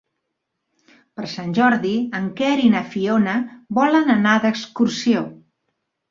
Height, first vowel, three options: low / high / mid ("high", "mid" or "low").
mid